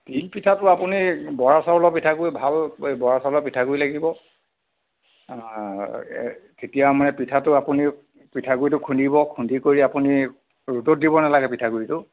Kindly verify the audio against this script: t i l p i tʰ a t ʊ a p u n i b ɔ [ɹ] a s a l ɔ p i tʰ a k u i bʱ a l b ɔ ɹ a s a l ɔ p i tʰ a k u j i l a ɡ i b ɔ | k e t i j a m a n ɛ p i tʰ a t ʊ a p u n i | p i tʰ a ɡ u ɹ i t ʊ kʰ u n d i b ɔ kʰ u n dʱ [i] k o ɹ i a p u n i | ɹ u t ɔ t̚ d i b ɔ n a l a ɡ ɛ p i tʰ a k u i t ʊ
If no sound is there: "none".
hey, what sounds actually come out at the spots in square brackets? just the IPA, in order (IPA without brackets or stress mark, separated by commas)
ɹ, i